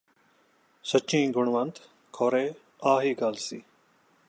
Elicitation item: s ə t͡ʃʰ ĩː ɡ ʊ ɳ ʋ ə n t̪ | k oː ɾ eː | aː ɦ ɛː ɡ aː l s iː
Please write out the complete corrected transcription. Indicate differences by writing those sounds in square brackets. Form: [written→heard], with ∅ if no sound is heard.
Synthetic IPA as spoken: s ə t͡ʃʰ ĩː ɡ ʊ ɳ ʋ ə n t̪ | [k→kʰ] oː ɾ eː | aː ɦ [ɛː→iː] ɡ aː l s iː

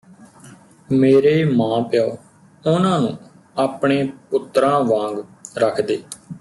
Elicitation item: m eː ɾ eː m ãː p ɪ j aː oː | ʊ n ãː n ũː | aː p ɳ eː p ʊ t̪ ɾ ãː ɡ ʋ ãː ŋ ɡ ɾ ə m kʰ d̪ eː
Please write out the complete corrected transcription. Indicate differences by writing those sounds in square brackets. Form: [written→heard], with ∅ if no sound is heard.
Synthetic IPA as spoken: m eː ɾ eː m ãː p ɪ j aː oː | ʊ n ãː n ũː | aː p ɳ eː p ʊ t̪ ɾ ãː [ɡ→∅] ʋ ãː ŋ ɡ ɾ ə [m→∅] kʰ d̪ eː

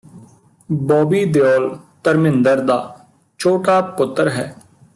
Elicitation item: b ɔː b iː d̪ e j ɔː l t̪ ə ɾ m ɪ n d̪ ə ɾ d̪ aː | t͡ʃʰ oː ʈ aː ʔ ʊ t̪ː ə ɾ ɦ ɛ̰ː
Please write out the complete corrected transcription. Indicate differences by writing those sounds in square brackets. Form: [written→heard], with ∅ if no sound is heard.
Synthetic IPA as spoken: b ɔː b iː d̪ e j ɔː l t̪ ə ɾ m ɪ n d̪ ə ɾ d̪ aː | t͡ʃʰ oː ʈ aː [ʔ→p] ʊ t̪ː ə ɾ ɦ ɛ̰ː

